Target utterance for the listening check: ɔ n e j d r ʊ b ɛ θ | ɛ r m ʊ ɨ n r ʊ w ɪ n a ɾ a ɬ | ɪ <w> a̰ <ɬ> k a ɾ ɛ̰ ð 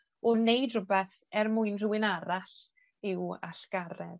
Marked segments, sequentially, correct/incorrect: correct, correct

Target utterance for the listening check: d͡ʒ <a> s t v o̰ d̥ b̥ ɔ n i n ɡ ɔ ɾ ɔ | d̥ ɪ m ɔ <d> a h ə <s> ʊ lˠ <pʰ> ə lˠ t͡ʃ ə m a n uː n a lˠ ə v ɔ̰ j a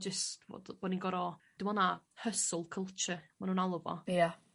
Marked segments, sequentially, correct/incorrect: incorrect, incorrect, correct, incorrect

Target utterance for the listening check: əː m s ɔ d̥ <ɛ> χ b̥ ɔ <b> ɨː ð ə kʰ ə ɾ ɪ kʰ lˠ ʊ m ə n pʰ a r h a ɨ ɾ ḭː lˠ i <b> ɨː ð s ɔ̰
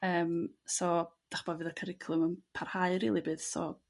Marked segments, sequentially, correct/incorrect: incorrect, incorrect, correct

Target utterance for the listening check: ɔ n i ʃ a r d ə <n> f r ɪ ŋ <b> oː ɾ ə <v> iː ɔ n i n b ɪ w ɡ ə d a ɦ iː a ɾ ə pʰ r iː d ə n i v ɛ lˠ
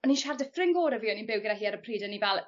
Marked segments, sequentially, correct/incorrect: incorrect, incorrect, correct

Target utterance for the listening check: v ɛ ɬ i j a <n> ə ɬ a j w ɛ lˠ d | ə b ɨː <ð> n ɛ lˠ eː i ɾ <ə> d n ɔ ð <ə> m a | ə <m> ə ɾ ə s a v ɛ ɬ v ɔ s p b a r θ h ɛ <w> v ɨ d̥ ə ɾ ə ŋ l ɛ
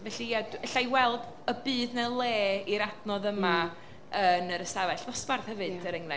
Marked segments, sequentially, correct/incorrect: incorrect, correct, incorrect, correct, incorrect, incorrect

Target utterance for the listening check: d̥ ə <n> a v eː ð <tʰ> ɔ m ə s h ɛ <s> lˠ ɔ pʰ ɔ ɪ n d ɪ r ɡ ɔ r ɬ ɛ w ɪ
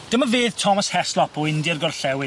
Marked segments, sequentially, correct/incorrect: incorrect, correct, correct

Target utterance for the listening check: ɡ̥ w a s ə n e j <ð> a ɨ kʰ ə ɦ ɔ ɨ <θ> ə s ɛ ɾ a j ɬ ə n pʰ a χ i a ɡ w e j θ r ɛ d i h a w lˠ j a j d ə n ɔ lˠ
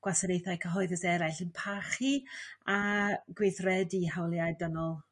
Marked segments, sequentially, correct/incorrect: incorrect, incorrect

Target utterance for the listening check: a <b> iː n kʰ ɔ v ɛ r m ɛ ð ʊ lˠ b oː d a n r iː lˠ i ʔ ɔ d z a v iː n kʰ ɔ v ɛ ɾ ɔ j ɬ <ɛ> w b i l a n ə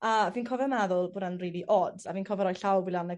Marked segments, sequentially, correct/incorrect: incorrect, incorrect

